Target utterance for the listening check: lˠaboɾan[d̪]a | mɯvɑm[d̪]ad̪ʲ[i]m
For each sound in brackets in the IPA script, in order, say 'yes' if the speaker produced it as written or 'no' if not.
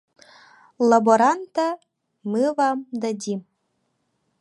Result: no, yes, yes

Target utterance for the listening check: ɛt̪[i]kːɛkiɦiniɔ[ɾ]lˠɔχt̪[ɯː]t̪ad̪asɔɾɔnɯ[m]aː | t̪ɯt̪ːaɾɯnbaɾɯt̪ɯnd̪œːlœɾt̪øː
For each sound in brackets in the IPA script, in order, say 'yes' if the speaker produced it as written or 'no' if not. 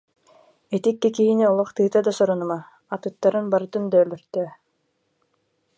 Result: yes, no, yes, yes

